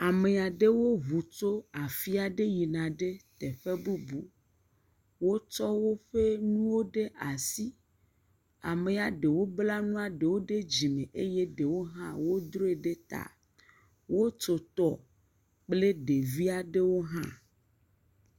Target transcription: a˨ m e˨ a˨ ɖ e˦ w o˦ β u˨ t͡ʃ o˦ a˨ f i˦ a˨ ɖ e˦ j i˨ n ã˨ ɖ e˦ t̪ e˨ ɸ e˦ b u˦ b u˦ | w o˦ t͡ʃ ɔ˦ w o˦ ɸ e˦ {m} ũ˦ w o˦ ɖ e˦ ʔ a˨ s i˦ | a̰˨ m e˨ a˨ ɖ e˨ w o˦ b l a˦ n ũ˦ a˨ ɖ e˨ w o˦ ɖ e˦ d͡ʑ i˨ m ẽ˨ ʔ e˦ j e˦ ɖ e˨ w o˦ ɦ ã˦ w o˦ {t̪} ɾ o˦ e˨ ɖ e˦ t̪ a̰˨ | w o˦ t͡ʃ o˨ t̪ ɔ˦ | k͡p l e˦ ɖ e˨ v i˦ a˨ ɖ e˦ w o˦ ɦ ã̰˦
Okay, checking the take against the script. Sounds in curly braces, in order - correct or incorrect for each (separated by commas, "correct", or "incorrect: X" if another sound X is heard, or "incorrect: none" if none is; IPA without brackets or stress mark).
incorrect: n, incorrect: d̪